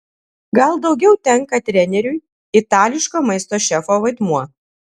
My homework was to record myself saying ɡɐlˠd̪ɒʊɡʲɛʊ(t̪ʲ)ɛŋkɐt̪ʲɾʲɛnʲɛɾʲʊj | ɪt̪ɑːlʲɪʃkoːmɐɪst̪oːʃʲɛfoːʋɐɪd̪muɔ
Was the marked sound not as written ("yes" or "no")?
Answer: no